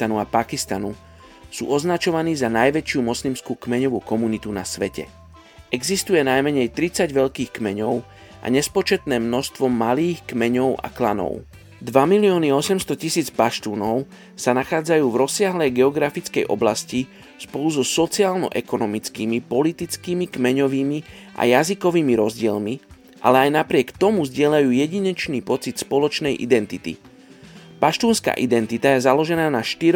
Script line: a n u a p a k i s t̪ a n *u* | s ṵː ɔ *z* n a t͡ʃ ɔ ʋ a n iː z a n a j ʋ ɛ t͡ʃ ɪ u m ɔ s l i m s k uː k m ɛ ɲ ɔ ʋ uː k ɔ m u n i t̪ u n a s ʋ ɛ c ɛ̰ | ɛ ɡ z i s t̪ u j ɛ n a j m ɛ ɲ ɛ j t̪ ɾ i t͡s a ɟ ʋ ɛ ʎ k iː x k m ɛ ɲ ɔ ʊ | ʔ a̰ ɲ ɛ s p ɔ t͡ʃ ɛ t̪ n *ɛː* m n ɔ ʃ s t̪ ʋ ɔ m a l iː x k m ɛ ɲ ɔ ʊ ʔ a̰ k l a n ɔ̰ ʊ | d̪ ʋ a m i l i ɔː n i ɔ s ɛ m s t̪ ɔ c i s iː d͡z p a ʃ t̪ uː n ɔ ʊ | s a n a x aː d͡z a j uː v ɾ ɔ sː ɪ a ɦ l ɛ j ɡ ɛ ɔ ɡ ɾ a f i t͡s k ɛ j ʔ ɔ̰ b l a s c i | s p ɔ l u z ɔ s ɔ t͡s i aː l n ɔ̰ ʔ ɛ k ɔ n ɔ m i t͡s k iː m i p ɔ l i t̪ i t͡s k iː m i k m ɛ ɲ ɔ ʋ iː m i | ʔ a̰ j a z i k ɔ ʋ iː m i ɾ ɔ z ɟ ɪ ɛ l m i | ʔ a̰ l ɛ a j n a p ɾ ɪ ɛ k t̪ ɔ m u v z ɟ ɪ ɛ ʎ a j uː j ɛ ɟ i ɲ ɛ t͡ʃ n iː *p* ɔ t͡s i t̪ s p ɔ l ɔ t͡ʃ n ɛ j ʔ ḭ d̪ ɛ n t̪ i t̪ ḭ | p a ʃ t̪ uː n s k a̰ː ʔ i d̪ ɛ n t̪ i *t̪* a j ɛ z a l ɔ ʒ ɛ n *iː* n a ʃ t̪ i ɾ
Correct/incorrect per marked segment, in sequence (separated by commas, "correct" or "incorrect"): correct, correct, correct, correct, correct, incorrect